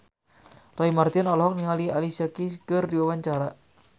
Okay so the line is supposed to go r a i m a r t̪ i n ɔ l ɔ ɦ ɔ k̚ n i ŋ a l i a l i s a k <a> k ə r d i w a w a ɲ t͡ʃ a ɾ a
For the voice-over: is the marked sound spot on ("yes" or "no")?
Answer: no